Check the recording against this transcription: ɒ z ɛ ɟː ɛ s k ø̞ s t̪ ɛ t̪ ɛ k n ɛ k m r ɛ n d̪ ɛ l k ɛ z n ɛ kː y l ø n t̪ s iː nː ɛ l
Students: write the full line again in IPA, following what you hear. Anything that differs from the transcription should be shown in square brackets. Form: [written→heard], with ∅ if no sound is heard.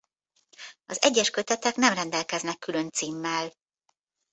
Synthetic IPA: ɒ z ɛ ɟː ɛ [s→ʃ] k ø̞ [s→∅] t̪ ɛ t̪ ɛ k n ɛ [k→∅] m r ɛ n d̪ ɛ l k ɛ z n ɛ kː y l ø n t̪ s iː [nː→mː] ɛ l

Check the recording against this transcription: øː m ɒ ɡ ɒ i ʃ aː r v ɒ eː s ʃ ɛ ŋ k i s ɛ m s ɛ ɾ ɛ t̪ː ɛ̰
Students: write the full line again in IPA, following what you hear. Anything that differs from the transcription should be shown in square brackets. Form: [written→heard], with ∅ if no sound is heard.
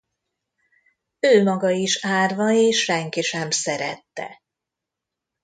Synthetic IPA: øː m ɒ ɡ ɒ i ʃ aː r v ɒ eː [s→ʃ] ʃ ɛ ŋ k i [s→ʃ] ɛ m s ɛ ɾ ɛ t̪ː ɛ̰

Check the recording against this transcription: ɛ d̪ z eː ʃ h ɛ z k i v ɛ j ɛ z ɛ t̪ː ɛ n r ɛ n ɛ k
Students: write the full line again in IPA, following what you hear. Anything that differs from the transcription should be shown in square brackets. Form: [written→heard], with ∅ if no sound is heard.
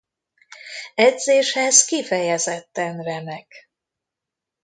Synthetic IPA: ɛ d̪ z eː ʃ h ɛ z k i [v→f] ɛ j ɛ z ɛ t̪ː ɛ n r ɛ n ɛ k

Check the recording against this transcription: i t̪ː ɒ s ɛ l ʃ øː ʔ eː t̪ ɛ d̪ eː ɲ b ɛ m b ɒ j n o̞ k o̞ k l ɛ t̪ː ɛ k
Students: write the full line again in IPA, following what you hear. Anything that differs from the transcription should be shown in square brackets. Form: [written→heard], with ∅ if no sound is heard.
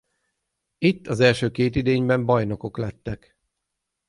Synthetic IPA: i t̪ː ɒ [s→z] ɛ l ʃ øː [ʔ→k] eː t̪ [ɛ→i] d̪ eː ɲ b ɛ m b ɒ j n o̞ k o̞ k l ɛ t̪ː ɛ k

